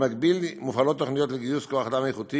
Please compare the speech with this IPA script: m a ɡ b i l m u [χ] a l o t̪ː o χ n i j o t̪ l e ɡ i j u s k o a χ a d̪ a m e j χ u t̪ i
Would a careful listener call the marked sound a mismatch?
yes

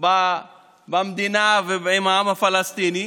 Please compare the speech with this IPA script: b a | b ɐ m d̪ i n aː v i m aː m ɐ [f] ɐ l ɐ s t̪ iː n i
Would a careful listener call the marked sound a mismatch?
no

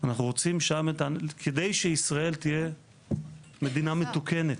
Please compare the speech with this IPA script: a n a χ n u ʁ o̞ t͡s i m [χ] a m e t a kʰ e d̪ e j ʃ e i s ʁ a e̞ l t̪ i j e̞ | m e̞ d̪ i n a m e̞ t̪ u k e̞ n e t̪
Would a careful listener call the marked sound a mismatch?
yes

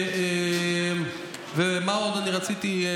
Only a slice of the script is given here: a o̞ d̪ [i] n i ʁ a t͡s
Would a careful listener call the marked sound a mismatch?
yes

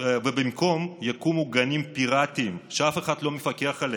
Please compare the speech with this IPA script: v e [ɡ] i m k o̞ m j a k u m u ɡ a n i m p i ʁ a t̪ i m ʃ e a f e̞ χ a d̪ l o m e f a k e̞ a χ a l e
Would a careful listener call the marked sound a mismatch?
yes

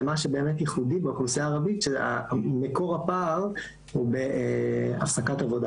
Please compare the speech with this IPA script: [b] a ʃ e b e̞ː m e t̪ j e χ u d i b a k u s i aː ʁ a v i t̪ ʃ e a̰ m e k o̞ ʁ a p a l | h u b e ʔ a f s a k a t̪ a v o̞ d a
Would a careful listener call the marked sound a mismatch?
yes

